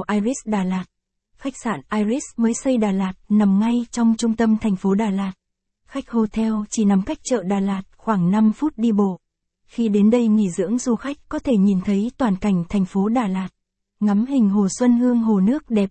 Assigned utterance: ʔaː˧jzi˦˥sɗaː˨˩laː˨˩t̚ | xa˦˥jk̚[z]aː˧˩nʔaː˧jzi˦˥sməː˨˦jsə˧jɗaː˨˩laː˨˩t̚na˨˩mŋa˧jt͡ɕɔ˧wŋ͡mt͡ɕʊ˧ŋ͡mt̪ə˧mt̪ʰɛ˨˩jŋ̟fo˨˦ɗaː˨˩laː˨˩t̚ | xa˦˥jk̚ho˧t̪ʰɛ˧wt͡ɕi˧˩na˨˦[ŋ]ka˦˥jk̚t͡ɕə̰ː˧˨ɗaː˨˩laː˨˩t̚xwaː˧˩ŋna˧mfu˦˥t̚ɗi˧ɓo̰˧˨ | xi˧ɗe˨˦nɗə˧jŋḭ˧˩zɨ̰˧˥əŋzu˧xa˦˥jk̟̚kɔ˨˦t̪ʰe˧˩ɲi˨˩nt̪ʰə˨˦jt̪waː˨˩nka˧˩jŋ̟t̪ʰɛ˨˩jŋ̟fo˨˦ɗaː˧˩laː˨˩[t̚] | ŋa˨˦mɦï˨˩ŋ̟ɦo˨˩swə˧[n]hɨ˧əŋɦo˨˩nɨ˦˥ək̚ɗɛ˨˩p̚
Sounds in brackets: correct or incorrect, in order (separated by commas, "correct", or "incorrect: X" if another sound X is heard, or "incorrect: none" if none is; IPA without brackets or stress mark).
incorrect: s, incorrect: m, correct, correct